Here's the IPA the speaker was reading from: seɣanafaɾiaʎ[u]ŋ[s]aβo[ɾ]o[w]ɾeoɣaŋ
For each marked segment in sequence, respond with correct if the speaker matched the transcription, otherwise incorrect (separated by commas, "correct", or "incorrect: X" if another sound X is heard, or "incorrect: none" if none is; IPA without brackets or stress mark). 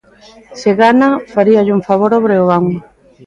correct, incorrect: f, correct, incorrect: β